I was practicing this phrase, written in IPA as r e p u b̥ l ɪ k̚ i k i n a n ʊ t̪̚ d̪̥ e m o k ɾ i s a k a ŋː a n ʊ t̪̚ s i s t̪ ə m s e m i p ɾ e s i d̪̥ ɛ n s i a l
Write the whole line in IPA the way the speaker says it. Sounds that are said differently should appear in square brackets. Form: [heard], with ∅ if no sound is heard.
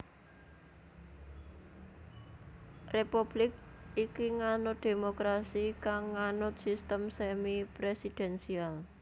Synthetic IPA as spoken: r e p u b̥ l ɪ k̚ i k i [ŋ] a n ʊ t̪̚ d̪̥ e m o k ɾ [a] s [i] k a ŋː a n ʊ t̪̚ s i s t̪ ə m s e m i p ɾ e s i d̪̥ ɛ n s i a l